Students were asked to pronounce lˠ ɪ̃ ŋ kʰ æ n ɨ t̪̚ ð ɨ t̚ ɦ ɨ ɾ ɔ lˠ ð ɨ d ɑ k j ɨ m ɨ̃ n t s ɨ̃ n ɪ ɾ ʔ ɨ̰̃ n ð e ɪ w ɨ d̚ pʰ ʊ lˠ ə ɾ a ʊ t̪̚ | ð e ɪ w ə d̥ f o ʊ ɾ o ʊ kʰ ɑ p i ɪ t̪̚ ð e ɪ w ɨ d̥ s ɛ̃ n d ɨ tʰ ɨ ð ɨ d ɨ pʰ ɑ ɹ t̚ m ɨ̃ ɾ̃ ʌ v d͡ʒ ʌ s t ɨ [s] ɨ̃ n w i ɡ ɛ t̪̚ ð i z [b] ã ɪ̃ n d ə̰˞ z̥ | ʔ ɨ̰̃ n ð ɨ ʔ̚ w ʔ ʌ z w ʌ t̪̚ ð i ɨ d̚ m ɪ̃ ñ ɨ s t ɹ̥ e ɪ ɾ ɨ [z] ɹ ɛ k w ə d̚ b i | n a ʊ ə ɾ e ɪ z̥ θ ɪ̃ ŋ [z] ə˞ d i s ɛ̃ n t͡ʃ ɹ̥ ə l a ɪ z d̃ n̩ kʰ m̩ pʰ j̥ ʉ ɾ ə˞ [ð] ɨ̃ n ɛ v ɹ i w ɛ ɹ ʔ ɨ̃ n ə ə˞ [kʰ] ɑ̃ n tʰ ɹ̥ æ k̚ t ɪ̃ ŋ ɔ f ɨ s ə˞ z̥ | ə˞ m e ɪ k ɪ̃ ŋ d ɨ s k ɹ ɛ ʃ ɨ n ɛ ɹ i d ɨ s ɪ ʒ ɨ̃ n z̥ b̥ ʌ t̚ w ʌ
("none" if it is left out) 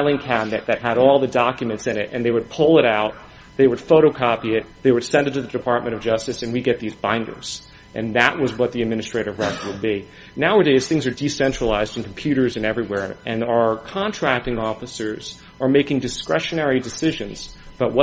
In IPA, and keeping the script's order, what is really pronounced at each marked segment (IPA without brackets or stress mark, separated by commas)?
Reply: s, b, v, z, z, kʰ